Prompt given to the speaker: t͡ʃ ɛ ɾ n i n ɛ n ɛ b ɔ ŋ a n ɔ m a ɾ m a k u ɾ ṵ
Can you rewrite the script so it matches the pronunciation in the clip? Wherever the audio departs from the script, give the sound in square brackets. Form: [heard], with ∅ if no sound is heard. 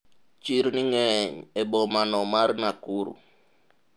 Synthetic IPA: t͡ʃ [i] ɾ n i [ŋ] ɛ [ɲ] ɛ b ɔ [m] a n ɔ m a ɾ [n] a k u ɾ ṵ